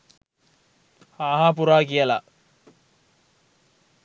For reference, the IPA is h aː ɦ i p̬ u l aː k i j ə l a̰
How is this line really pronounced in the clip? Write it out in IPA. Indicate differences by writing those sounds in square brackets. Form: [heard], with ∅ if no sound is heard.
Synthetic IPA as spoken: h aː ɦ [a] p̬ u [ɾ] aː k i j ə l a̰